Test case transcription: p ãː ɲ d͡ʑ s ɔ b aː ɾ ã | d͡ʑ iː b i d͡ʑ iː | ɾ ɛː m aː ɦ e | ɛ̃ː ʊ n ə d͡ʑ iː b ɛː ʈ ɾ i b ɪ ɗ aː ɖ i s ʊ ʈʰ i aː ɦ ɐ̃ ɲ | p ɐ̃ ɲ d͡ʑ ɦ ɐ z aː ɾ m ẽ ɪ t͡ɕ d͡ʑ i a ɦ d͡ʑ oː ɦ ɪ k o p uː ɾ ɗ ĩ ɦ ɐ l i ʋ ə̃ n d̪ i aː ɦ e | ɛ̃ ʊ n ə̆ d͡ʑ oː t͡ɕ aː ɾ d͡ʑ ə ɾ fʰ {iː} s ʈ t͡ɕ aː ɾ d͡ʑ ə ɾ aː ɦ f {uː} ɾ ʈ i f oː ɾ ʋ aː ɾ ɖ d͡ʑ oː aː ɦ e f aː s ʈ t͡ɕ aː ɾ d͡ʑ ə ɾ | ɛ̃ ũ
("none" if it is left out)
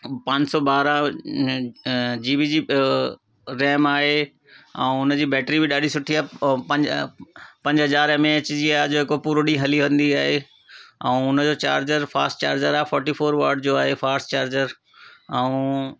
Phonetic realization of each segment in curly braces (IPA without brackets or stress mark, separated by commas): aː, ɔː